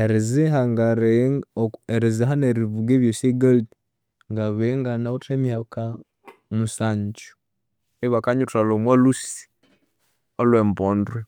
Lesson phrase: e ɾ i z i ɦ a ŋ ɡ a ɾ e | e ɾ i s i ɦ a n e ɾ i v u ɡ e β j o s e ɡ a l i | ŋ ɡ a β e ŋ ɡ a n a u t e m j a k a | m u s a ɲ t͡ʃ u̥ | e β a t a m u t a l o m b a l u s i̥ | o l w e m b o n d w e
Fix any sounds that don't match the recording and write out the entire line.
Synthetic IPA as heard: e ɾ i z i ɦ a ŋ ɡ a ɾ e | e ɾ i z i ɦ a n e ɾ i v u ɡ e β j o s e ɡ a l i | ŋ ɡ a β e ŋ ɡ a n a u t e m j a k a | m u s a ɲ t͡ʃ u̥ | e β a k a ɲ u t a l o m w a l u s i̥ | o l w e m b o n d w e